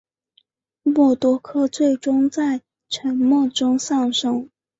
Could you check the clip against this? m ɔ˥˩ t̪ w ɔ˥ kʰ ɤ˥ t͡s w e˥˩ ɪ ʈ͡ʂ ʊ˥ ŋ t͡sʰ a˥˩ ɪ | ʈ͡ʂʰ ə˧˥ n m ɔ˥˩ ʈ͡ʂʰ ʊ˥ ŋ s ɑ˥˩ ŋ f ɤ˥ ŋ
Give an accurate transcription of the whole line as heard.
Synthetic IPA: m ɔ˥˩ t̪ w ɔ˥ kʰ ɤ˥ t͡s w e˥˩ ɪ ʈ͡ʂ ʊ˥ ŋ t͡s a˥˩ ɪ | ʈ͡ʂʰ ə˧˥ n m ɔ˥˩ ʈ͡ʂ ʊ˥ ŋ s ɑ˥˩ ŋ ʂ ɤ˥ ŋ

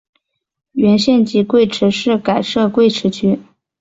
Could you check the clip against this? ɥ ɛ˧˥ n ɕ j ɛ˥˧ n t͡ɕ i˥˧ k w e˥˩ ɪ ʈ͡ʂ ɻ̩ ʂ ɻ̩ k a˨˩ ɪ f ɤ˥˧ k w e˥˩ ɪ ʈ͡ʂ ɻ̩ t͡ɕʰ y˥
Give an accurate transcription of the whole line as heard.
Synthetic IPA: ɥ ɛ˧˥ n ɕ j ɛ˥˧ n t͡ɕ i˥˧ k w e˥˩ ɪ ʈ͡ʂʰ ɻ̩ ʂ ɻ̩ k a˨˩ ɪ ʂ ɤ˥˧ k w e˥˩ ɪ ʈ͡ʂʰ ɻ̩ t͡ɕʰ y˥

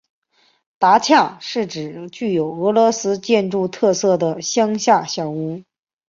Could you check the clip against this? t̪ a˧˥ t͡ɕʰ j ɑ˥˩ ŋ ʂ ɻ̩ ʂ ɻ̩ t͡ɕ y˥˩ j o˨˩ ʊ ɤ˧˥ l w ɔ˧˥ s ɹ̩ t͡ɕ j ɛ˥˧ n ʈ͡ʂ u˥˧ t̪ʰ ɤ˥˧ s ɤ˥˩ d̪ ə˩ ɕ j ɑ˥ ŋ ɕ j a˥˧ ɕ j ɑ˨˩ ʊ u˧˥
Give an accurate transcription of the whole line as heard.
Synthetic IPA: t̪ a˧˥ t͡ɕʰ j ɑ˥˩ ŋ ʂ ɻ̩ ʈ͡ʂ ɻ̩ t͡ɕ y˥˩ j o˨˩ ʊ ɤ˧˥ l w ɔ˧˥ s ɹ̩ t͡ɕ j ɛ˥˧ n ʈ͡ʂ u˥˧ t̪ʰ ɤ˥˧ s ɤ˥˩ d̪ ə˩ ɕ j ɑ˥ ŋ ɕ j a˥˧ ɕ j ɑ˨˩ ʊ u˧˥

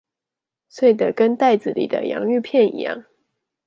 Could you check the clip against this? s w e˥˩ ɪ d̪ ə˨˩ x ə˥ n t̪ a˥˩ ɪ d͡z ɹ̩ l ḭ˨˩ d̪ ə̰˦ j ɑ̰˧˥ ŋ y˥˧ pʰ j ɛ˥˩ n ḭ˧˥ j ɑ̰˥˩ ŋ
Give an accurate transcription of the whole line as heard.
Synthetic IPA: s w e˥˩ ɪ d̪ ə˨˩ k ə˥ n t̪ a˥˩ ɪ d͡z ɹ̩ l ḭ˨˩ d̪ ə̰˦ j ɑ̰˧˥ ŋ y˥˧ pʰ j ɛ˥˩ n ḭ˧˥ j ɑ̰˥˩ ŋ

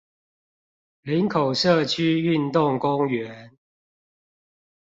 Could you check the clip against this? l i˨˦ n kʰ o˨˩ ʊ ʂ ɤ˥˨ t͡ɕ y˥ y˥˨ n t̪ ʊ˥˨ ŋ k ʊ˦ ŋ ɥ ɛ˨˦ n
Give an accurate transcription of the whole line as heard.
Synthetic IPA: l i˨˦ n kʰ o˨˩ ʊ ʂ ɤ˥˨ t͡ɕʰ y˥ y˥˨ n t̪ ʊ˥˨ ŋ k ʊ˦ ŋ ɥ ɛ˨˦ n

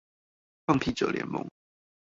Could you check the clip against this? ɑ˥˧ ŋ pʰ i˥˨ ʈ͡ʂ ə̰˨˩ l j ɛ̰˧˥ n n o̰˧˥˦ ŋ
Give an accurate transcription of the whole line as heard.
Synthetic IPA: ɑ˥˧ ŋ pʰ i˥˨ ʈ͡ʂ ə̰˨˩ l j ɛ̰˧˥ n m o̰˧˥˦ ŋ

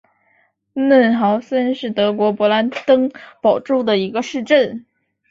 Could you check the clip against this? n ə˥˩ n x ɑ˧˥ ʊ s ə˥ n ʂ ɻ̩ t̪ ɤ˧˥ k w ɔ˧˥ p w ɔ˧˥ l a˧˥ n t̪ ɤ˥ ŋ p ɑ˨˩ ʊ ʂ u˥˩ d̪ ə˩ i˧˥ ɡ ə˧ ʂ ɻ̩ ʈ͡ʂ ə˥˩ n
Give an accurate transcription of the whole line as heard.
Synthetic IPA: n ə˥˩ n x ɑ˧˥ ʊ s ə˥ n ʂ ɻ̩ t̪ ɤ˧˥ k w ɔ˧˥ p w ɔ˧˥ l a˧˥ n t̪ ɤ˥ ŋ p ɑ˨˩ ʊ ʈ͡ʂ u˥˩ d̪ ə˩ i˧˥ ɡ ə˧ ʂ ɻ̩ ʈ͡ʂ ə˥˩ n

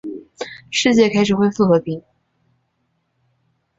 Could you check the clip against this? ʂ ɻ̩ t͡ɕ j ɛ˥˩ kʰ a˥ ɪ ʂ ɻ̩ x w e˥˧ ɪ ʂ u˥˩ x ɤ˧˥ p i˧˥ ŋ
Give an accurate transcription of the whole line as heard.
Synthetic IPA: ʂ ɻ̩ t͡ɕ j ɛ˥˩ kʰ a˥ ɪ ʂ ɻ̩ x w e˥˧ ɪ f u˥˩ x ɤ˧˥ p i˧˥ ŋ

